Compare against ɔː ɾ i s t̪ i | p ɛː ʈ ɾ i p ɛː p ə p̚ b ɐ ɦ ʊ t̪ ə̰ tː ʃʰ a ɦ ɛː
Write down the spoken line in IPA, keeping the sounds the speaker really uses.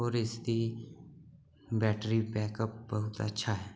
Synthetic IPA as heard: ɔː ɾ ɪ s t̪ i | b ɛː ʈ ɾ i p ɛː k ə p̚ b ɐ ɦ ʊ t̪ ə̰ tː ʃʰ a ɦ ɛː

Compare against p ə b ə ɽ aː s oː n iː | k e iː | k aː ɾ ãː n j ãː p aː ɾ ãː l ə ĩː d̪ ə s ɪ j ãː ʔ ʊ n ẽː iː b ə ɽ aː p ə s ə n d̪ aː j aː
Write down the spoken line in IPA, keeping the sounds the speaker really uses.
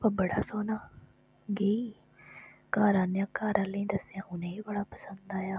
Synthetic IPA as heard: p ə b ə ɽ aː s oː n aː | ɡ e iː | k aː ɾ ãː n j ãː k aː ɾ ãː l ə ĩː d̪ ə s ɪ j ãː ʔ ʊ n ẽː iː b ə ɽ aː p ə s ə n d̪ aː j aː

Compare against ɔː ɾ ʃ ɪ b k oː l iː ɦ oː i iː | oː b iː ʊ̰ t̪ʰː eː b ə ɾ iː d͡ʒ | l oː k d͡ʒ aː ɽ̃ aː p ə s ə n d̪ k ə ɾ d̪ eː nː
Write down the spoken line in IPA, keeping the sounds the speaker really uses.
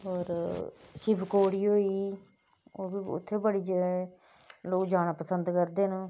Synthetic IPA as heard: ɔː ɾ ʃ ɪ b k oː ɽ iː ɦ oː i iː | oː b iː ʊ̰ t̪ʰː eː b ə ɽ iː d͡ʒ | l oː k d͡ʒ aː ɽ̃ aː p ə s ə n d̪ k ə ɾ d̪ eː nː

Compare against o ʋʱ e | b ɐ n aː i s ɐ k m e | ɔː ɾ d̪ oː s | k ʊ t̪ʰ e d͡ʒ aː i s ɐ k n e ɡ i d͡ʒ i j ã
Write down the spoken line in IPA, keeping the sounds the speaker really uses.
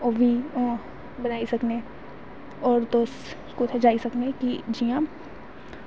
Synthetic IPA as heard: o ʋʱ i | b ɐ n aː i s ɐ k n e | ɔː ɾ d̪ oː s | k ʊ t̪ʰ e d͡ʒ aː i s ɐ k n e k i d͡ʒ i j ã

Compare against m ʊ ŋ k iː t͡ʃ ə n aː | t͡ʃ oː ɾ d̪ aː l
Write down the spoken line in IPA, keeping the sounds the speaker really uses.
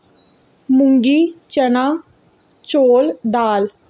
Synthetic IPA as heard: m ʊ ŋ ɡ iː t͡ʃ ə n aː | t͡ʃ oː l d̪ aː l

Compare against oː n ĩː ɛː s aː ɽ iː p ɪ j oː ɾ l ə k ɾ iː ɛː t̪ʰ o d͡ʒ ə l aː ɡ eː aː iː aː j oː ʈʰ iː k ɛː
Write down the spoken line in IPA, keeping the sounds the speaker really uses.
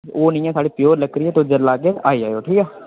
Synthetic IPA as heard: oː n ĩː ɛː s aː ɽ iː p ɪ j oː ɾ l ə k ɾ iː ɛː t̪ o d͡ʒ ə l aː ɡ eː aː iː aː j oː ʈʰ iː k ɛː

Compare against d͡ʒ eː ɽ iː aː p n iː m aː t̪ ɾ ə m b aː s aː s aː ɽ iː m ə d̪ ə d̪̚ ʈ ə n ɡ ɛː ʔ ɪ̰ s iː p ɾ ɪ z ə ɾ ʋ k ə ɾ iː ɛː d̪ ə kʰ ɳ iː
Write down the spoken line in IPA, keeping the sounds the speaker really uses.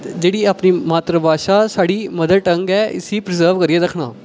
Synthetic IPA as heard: d͡ʒ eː ɽ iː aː p n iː m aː t̪ ɾ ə b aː ʃ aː s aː ɽ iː m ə d̪ ə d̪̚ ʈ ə ŋ ɡ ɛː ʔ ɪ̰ s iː p ɾ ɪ z ə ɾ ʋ k ə ɾ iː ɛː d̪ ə kʰ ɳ aː

